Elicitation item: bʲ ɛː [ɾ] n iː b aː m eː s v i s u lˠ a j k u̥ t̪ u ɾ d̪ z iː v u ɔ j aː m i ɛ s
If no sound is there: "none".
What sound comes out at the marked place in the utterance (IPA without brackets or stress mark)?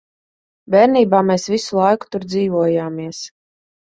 ɾ